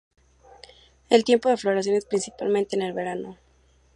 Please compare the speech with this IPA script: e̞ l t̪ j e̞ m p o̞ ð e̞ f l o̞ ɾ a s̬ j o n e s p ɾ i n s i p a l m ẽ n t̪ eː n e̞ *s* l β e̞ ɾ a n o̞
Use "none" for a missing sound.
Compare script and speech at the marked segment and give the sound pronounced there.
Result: none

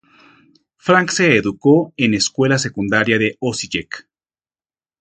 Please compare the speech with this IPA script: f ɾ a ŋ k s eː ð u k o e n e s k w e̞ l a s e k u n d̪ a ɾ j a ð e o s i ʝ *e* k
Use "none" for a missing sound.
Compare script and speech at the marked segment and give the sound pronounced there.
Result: e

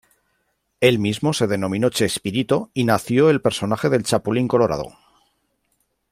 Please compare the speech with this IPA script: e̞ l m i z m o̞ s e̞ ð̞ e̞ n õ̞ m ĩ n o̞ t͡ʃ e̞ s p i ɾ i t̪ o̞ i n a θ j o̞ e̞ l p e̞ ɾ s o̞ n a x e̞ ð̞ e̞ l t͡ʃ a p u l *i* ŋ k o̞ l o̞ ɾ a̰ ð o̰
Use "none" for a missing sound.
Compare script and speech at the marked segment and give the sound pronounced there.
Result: i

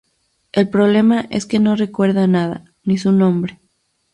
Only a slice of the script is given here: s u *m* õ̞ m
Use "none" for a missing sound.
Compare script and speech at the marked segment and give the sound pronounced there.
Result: n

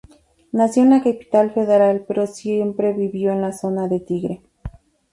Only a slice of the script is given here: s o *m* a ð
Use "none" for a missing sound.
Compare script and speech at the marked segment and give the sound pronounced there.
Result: n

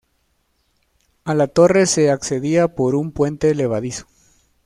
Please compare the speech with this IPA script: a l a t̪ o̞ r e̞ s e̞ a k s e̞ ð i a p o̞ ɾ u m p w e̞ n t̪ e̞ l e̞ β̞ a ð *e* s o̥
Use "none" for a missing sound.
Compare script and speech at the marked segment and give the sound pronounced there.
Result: i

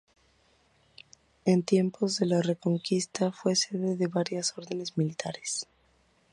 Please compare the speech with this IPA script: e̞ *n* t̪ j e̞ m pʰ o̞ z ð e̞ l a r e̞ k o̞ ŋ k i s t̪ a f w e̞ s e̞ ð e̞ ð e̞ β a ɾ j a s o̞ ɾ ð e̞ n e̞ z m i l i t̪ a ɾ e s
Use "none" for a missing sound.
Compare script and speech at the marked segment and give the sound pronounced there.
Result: n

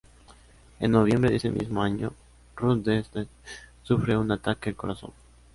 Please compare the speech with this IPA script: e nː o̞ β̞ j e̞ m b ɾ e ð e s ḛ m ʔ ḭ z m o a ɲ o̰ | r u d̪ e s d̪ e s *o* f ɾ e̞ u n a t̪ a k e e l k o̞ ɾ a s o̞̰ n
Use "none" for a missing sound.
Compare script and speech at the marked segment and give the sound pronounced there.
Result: u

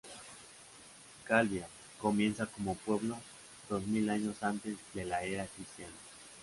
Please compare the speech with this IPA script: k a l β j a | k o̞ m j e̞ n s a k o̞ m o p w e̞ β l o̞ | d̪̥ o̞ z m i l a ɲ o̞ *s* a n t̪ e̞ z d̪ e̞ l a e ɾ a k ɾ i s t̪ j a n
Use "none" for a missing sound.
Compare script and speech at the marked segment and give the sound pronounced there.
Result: s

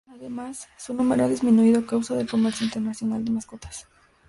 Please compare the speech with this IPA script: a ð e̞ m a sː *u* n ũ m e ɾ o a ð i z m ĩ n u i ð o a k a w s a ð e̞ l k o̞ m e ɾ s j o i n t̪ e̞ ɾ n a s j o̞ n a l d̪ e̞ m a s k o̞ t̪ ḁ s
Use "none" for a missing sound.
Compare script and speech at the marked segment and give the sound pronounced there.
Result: u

